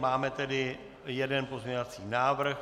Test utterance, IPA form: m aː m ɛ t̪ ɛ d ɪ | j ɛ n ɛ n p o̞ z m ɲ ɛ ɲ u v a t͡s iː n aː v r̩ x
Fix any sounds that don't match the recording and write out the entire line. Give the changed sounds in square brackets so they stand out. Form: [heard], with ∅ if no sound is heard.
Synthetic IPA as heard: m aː m ɛ t̪ ɛ d ɪ | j ɛ [d] ɛ n p o̞ z m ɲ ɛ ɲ [o] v a t͡s iː n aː v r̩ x